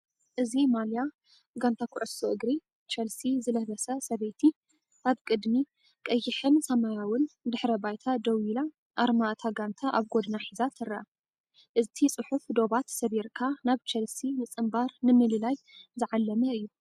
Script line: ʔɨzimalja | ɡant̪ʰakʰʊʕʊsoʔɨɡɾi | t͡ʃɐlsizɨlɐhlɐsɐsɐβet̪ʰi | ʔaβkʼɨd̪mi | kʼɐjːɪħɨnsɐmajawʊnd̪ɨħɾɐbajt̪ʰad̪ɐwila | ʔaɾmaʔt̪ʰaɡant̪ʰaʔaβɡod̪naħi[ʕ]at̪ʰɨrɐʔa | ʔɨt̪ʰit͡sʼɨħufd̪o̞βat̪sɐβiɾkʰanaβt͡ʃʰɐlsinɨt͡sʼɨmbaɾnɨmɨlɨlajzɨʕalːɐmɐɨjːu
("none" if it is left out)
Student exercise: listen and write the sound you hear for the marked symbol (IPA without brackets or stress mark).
z